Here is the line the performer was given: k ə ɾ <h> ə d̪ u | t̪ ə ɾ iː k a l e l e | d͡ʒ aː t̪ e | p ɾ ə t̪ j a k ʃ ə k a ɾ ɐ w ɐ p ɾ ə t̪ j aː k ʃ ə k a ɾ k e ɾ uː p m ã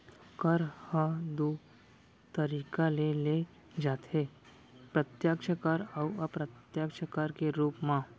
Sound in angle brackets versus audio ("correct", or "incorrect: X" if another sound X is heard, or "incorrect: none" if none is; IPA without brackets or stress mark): correct